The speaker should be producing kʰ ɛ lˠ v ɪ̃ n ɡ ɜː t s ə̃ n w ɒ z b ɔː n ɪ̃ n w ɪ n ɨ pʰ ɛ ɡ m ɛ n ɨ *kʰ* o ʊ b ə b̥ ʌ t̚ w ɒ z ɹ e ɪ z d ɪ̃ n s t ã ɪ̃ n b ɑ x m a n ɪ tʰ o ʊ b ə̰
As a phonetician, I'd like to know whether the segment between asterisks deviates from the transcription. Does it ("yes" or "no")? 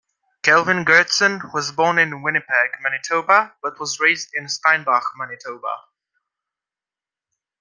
yes